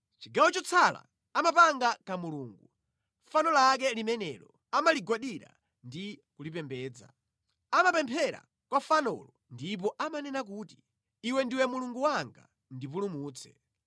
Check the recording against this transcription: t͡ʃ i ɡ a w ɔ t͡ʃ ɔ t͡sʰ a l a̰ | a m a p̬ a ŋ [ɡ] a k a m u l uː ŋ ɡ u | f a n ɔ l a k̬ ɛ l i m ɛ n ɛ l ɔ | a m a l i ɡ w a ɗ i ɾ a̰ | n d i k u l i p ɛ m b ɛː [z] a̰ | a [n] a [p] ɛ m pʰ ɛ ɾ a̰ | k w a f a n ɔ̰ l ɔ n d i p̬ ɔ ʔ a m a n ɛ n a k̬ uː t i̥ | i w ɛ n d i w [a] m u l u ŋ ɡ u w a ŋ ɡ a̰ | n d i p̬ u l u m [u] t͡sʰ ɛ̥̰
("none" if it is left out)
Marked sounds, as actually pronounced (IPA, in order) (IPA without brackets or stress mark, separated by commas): ɡ, d͡z, m, p, ɛ, uː